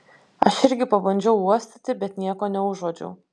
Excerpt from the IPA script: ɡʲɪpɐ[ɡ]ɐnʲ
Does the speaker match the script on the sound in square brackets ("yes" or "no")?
no